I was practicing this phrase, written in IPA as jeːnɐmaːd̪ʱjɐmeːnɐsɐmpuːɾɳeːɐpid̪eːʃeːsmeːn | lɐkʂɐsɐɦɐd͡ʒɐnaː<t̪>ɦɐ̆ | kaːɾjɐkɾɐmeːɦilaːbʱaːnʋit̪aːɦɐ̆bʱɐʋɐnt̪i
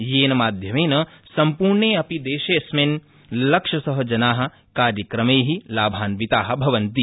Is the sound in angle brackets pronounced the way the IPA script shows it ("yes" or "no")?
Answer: no